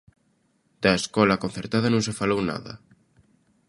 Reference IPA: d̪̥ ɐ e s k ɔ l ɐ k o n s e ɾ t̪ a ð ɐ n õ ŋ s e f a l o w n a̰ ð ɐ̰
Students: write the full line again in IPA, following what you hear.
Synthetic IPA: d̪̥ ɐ e s k ɔ l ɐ k o n θ e ɾ t̪ a ð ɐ n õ ŋ s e f a l o w n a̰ ð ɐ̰